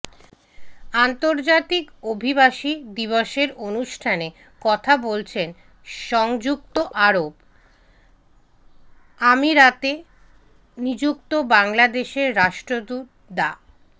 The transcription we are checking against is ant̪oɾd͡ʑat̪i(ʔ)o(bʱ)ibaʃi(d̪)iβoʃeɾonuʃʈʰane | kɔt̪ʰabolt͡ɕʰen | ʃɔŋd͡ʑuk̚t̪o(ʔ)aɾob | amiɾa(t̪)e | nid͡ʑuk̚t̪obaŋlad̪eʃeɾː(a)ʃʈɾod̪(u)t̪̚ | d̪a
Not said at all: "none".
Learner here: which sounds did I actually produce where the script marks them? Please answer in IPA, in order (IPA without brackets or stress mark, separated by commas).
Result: k, bʱ, d̪, ʔ, t̪, a, u